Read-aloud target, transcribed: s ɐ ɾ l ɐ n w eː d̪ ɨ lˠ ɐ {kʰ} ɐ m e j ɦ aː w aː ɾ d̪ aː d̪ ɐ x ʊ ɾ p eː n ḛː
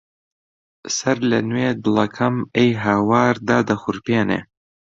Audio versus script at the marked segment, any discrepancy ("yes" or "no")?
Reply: no